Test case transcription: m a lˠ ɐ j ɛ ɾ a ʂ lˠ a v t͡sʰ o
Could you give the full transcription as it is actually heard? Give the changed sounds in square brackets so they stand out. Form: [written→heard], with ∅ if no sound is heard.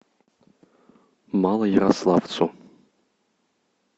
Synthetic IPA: m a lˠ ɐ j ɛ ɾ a [ʂ→s] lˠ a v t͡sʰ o